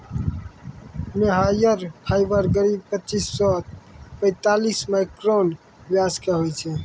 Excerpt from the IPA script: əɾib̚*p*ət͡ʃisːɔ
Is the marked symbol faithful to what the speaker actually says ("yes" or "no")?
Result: yes